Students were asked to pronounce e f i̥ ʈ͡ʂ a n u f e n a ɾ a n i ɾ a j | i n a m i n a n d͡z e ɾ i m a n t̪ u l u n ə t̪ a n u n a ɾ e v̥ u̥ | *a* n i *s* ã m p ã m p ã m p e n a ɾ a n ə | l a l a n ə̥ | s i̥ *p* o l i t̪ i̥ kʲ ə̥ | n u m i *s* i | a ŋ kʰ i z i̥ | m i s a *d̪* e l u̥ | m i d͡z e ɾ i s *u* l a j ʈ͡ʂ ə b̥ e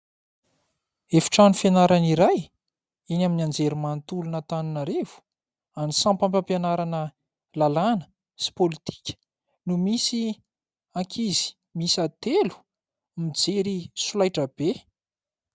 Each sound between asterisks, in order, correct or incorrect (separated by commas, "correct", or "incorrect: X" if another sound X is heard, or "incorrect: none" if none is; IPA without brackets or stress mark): correct, correct, correct, correct, incorrect: t̪, correct